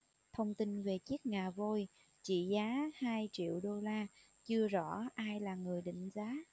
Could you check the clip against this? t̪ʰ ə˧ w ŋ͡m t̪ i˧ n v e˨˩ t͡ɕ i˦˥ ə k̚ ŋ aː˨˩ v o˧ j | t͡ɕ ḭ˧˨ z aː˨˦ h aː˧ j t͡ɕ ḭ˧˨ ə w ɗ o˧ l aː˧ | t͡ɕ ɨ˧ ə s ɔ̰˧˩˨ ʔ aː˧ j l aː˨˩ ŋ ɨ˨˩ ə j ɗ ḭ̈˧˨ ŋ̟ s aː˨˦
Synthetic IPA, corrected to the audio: t̪ʰ ə˧ w ŋ͡m t̪ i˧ n v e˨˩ t͡ɕ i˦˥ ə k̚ ŋ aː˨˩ v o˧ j | t͡ɕ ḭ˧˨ z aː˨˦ h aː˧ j t͡ɕ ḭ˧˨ ə w ɗ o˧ l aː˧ | t͡ɕ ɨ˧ ə z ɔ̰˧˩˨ ʔ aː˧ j l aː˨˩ ŋ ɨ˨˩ ə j ɗ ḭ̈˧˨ ŋ̟ z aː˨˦